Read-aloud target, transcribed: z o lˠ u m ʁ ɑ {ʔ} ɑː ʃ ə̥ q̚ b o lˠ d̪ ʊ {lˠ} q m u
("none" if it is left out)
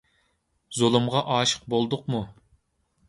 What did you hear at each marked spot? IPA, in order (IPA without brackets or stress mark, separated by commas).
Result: ʔ, none